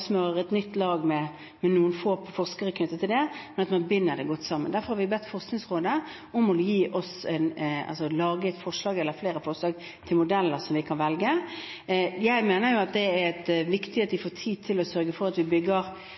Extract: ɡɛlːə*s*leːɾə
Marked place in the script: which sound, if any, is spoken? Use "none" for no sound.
f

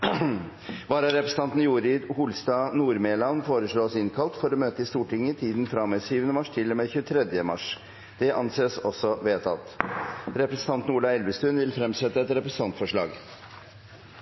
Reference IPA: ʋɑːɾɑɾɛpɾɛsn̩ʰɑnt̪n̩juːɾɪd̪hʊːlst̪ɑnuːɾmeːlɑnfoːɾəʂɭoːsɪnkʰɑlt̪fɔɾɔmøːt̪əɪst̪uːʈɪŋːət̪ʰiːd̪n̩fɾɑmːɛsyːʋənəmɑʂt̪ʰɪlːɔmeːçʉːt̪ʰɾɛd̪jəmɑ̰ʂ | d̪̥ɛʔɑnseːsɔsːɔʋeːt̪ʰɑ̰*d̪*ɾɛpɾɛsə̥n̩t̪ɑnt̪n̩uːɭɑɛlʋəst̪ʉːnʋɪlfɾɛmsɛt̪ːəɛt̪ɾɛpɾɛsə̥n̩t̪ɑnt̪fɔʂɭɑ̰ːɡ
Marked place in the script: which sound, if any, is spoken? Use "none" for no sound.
t̪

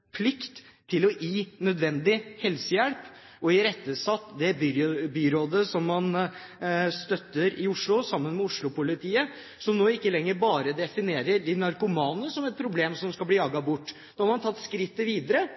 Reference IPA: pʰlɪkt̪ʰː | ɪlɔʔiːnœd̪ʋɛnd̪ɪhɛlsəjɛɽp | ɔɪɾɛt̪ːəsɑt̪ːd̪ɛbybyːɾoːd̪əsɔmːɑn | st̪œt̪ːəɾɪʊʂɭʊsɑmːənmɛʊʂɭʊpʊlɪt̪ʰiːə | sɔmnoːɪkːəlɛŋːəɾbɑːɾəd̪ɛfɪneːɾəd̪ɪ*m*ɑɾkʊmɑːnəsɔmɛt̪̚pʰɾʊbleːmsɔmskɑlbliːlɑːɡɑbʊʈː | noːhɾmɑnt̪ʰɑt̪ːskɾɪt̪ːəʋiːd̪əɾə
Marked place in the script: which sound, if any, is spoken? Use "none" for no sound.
n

